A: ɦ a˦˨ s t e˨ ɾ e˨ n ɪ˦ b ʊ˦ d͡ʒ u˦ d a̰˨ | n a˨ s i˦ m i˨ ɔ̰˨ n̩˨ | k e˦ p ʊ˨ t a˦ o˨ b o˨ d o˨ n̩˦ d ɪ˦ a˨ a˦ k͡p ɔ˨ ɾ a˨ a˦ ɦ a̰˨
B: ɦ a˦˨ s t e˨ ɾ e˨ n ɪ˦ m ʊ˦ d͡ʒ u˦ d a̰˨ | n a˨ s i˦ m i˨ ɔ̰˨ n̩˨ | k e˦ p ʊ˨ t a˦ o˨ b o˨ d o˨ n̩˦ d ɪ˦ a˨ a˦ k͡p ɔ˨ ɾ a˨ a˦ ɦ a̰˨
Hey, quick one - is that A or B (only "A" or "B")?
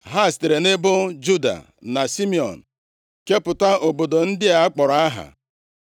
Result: A